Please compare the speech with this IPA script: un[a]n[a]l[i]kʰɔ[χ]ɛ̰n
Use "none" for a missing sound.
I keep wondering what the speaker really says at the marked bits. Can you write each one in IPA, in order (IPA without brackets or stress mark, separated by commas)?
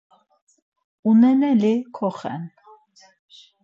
ɛ, ɛ, i, χ